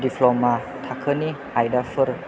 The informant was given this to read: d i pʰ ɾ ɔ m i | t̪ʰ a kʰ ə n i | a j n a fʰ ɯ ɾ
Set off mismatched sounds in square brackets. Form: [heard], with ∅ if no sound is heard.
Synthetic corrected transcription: d i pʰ [l] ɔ m [a] | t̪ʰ a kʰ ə n i | a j [d] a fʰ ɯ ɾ